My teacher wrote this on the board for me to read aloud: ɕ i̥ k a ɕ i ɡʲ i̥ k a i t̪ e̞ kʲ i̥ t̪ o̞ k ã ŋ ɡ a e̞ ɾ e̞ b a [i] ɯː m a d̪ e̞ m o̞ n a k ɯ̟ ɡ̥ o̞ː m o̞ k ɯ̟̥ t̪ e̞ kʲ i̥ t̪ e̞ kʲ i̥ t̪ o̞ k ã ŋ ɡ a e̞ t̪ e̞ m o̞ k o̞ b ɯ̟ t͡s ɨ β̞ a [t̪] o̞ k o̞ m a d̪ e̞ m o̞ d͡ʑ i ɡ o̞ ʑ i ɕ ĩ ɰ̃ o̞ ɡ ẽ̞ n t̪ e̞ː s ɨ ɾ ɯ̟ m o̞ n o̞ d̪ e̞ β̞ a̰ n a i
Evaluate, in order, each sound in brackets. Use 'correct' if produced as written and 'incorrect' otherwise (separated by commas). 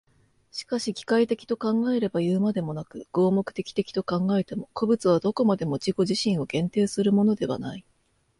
incorrect, incorrect